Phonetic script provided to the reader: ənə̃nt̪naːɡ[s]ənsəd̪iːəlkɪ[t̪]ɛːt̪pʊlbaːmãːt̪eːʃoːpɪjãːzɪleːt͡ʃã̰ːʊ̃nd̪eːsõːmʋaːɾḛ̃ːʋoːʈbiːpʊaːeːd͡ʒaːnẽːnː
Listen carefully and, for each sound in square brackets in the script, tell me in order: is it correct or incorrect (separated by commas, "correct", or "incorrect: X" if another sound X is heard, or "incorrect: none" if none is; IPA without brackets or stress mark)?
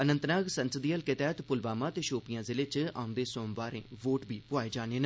correct, correct